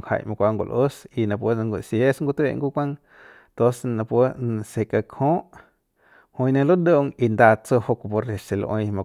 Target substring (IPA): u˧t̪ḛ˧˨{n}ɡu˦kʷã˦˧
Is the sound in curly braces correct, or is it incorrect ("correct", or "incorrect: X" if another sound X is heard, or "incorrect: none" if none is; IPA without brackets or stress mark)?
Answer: incorrect: ŋ